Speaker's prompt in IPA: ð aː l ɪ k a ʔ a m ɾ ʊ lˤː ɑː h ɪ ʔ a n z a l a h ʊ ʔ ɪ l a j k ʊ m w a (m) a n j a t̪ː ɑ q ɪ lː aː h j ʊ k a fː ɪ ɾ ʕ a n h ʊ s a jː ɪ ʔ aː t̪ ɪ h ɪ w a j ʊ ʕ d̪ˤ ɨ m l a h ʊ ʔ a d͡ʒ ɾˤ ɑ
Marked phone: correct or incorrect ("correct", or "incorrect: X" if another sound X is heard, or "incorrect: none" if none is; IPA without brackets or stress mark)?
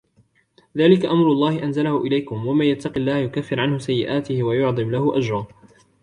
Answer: correct